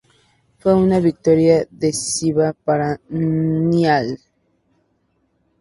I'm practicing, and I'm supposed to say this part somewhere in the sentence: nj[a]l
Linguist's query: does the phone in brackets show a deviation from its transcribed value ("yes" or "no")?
no